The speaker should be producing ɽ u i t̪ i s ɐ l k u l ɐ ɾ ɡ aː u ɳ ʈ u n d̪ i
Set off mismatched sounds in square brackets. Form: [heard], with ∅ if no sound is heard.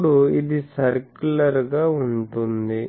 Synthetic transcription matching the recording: ɽ u i [d̪] i s ɐ [ɾ] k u l ɐ ɾ ɡ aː u ɳ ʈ u n d̪ i